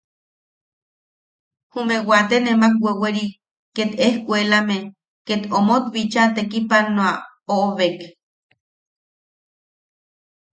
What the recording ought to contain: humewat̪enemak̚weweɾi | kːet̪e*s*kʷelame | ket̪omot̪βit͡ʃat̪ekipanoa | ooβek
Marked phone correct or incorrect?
incorrect